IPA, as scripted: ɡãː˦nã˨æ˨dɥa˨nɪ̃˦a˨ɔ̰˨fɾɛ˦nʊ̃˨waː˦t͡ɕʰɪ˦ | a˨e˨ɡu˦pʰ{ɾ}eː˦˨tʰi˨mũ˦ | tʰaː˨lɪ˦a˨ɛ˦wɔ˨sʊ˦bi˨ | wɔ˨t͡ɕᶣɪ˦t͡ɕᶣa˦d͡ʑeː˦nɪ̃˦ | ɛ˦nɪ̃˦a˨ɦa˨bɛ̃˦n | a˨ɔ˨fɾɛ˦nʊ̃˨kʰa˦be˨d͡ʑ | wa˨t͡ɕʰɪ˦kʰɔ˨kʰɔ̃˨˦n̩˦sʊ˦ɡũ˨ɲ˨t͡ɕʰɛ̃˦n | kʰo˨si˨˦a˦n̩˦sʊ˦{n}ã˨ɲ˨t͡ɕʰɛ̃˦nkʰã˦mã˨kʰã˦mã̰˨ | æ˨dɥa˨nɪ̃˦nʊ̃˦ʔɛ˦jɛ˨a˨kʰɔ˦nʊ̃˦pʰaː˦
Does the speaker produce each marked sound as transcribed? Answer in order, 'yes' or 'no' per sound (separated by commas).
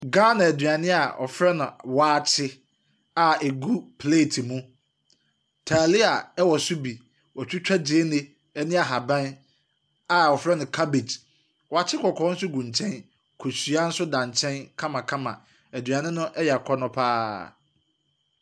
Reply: no, no